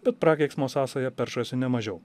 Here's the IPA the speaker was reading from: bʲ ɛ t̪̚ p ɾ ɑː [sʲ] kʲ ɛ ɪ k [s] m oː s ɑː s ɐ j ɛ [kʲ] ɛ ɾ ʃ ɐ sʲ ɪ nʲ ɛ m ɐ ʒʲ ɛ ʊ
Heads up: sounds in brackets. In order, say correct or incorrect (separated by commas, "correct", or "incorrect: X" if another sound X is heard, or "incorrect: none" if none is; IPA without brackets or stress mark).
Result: incorrect: none, correct, incorrect: pʲ